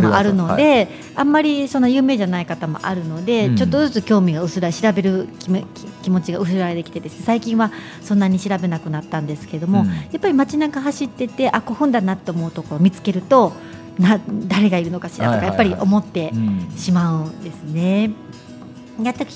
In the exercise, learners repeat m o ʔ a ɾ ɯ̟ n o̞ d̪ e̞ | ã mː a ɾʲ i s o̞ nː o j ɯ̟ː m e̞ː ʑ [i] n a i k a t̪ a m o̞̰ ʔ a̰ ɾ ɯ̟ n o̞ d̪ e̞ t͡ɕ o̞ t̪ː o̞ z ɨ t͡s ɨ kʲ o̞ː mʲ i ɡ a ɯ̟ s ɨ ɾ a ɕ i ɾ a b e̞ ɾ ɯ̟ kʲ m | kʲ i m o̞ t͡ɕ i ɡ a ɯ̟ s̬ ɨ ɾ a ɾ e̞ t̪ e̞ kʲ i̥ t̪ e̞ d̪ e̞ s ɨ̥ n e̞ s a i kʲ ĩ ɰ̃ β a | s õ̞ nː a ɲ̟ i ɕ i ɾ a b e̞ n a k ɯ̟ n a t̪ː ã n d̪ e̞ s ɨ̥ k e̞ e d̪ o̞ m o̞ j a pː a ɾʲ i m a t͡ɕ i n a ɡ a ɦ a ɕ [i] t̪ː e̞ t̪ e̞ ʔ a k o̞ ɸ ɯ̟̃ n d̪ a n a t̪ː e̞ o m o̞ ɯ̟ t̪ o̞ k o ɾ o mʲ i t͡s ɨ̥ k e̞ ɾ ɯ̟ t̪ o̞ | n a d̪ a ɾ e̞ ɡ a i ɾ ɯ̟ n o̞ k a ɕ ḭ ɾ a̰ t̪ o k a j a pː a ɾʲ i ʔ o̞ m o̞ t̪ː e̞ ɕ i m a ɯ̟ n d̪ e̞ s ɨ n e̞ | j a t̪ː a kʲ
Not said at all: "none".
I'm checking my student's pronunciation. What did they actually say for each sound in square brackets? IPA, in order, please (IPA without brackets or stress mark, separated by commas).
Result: a, i